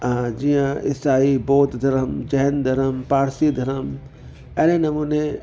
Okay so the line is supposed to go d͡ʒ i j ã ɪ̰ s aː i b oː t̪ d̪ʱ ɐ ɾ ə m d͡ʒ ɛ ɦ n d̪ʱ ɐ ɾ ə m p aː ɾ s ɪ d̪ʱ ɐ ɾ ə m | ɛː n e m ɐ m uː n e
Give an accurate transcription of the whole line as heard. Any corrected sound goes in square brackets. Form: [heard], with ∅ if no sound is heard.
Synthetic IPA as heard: d͡ʒ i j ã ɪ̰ s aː i b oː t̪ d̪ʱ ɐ ɾ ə m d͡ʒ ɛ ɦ n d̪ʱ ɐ ɾ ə m p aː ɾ s [i] d̪ʱ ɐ ɾ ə m | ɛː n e [n] ɐ m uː n e